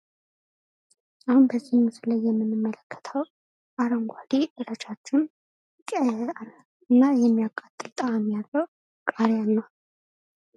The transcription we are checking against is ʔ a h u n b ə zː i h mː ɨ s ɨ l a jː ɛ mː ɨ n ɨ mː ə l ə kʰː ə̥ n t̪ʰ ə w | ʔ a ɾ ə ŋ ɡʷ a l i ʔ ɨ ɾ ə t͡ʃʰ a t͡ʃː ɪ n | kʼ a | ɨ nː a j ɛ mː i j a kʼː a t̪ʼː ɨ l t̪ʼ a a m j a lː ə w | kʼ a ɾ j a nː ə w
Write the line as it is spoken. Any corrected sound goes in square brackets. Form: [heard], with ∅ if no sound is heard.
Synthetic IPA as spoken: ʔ a h u n b ə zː i h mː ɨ s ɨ l a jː ɛ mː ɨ n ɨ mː ə l ə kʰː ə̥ [∅] t̪ʰ ə w | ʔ a ɾ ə ŋ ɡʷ a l i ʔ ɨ ɾ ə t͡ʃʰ a t͡ʃː ɪ n | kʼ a | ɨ nː a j ɛ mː i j a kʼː a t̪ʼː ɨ l t̪ʼ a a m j a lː ə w | kʼ a ɾ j a nː ə w